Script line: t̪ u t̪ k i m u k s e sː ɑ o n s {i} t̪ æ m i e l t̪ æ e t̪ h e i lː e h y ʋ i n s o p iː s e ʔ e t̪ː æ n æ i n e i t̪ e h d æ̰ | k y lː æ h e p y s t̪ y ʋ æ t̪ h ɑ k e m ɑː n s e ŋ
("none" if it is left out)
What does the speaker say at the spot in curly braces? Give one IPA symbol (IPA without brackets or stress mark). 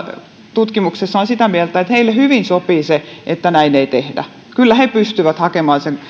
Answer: i